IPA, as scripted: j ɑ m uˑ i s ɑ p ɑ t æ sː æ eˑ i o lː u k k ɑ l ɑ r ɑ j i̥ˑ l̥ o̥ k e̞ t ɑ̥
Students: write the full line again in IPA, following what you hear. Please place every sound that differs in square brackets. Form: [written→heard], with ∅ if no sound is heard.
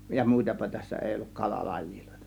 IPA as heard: j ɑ m uˑ i [s→t] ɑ p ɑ t æ sː æ eˑ i o lː u k k ɑ l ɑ [r→l] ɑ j i̥ˑ l̥ o̥ [k→∅] e̞ t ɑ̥